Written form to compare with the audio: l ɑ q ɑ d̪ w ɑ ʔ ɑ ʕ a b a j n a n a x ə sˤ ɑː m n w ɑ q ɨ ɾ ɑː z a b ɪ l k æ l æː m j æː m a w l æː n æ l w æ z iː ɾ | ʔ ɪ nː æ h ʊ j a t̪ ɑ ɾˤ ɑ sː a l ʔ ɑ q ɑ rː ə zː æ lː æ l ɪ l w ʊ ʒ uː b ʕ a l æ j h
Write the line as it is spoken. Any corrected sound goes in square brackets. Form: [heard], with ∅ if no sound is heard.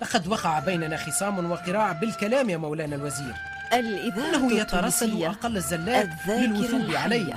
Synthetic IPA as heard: l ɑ q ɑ d̪ w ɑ [q] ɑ ʕ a b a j n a n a x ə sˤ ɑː m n w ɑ q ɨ ɾ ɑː [ʕ] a b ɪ l k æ l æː m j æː m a w l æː n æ l w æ z iː ɾ | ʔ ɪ nː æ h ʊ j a t̪ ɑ ɾˤ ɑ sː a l ʔ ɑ q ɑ [lː] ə zː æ lː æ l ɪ l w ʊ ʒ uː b ʕ a l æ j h